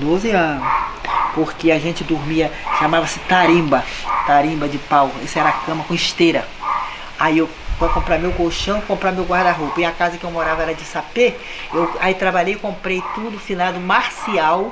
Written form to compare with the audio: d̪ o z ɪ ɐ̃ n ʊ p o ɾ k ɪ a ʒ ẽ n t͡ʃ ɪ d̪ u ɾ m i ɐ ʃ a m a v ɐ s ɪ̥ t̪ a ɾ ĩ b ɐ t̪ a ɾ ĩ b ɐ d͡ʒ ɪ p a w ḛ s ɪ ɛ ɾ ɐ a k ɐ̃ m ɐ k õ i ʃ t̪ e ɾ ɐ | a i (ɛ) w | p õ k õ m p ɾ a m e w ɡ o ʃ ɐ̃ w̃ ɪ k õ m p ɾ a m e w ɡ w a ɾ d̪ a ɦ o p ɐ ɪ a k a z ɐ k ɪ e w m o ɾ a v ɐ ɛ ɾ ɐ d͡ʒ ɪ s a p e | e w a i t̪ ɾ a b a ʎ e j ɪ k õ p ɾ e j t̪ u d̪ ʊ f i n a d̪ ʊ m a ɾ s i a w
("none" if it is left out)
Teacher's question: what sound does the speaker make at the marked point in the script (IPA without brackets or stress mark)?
e